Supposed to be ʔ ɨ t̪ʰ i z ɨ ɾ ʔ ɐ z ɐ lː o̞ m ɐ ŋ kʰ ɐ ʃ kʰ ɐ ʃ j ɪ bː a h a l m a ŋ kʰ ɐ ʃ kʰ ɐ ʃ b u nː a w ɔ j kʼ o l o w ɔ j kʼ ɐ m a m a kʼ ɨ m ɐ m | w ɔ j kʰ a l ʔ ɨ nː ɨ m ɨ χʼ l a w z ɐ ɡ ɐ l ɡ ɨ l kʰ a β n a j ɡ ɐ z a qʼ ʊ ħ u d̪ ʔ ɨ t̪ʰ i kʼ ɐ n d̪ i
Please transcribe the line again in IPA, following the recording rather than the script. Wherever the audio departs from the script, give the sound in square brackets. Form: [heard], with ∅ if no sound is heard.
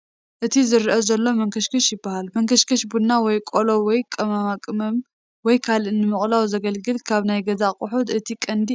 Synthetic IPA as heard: ʔ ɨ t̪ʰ i z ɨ ɾ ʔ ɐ z ɐ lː o̞ m ɐ ŋ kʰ ɐ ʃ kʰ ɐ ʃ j ɪ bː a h a l m [ɐ] ŋ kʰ ɐ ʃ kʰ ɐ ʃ b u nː a w ɔ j kʼ o l o w ɔ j kʼ ɐ m a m a kʼ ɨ m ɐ m | w ɔ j kʰ a l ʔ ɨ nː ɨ m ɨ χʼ l a w z ɐ ɡ ɐ l ɡ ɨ l kʰ a β n a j ɡ ɐ z a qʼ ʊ ħ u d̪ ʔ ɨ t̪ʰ i kʼ ɐ n d̪ i